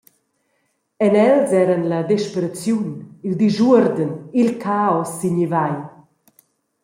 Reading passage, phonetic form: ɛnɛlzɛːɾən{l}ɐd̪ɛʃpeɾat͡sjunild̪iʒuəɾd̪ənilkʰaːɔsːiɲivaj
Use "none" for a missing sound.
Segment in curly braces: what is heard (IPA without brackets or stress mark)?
l